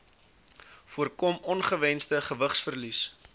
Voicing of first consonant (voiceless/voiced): voiceless